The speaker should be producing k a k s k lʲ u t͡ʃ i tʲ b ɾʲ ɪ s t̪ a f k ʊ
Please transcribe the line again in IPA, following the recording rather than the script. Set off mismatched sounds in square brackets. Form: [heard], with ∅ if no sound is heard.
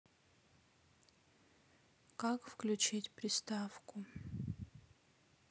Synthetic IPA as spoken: k a k [f] k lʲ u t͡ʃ i tʲ [p] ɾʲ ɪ s t̪ a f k ʊ